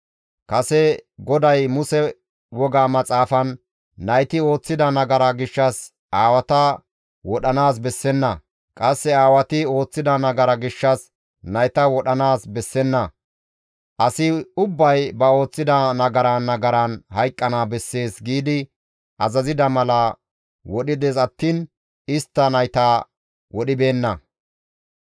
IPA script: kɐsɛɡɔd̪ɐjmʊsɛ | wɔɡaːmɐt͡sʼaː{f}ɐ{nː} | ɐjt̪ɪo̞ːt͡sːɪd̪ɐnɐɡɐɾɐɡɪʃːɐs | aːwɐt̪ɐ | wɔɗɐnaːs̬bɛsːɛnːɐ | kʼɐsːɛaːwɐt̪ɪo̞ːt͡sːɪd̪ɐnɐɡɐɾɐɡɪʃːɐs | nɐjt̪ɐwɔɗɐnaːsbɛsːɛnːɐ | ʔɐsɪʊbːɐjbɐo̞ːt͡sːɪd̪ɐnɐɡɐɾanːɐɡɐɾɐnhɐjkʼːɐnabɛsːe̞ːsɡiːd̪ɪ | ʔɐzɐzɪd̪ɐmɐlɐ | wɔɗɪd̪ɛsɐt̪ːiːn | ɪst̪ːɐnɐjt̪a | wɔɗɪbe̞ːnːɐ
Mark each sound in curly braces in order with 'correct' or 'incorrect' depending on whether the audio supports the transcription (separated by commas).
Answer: correct, correct